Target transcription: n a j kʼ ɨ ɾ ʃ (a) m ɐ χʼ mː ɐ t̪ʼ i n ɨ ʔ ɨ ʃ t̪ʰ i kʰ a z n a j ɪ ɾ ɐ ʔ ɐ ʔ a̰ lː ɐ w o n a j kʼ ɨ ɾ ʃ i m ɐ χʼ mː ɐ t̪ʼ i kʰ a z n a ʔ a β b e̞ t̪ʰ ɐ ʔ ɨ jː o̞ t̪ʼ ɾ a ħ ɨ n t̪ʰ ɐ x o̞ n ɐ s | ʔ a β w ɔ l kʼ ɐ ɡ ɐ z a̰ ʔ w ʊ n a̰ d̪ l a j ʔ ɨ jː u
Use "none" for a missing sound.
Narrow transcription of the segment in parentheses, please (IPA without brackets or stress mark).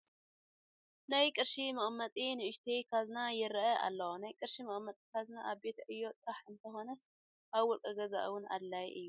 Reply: i